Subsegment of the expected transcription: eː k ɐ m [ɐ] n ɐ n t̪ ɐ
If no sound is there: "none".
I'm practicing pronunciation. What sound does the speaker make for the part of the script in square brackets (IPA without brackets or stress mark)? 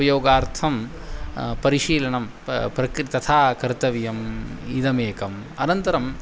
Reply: ɐ